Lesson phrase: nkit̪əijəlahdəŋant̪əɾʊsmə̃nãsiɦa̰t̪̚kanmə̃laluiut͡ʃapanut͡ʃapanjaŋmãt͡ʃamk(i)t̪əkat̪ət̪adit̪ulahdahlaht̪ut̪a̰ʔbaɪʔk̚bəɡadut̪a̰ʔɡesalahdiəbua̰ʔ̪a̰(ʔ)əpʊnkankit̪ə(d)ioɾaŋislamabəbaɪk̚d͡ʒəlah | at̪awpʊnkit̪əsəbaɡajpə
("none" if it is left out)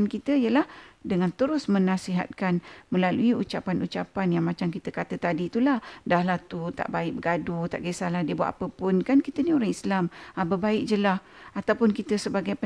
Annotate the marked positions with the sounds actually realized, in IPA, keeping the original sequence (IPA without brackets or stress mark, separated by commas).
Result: i, p, n